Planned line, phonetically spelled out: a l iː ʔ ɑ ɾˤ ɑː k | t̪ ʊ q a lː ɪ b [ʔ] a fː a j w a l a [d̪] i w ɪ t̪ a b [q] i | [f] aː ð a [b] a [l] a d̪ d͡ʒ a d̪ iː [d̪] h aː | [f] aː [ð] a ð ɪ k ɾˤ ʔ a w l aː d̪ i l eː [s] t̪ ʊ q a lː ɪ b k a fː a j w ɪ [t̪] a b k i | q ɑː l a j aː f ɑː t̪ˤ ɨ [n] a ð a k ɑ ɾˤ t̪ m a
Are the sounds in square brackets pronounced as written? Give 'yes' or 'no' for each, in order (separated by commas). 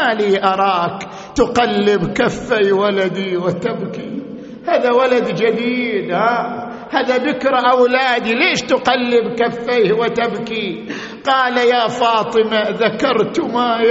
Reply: no, yes, no, no, no, yes, yes, no, yes, no, yes, no